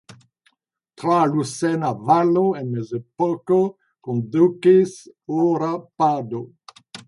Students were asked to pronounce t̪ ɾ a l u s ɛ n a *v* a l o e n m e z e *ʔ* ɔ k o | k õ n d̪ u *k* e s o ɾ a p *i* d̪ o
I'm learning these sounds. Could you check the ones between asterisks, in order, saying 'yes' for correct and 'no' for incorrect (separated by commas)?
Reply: yes, no, yes, no